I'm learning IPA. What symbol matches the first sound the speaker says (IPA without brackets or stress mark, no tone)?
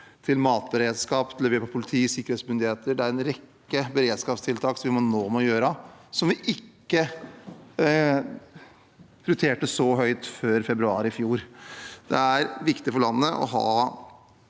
t̪ʰ